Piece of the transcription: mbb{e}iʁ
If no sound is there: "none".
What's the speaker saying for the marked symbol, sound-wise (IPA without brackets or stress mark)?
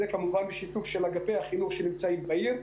a